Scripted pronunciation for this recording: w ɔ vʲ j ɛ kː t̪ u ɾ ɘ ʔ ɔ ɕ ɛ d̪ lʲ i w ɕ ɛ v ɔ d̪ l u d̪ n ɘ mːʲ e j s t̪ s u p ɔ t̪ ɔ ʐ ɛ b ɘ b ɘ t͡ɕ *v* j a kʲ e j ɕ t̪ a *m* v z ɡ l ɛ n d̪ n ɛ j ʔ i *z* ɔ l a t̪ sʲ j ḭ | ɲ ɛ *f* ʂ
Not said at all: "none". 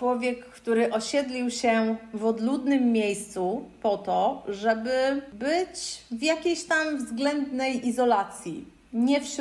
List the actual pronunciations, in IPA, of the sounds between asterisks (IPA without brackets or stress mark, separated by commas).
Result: v, m, z, f